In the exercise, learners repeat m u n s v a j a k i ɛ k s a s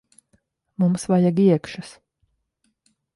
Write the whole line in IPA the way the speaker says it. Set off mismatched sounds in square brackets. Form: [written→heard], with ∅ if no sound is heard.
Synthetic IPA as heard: m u [n→m] s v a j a [k→ɡ] i ɛ k [s→ʃ] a s